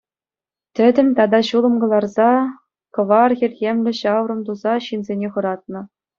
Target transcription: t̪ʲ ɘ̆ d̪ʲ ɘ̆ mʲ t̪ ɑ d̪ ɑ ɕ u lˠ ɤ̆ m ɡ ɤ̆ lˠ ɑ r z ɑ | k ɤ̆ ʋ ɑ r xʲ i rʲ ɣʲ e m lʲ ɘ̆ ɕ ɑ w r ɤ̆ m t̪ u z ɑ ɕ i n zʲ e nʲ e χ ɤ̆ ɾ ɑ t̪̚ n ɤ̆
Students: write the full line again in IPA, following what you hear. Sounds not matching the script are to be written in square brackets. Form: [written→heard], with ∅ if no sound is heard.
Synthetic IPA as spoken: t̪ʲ ɘ̆ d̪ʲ ɘ̆ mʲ t̪ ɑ d̪ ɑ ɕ u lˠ ɤ̆ m ɡ ɤ̆ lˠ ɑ r z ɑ | k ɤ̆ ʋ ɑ r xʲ i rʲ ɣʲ e m lʲ ɘ̆ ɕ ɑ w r ɤ̆ m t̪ u z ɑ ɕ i n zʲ e nʲ e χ ɤ̆ ɾ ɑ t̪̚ n ɤ̆